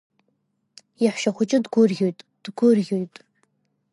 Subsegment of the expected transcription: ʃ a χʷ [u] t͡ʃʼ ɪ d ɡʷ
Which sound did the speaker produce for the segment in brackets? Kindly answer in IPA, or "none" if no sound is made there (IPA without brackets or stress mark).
ʊ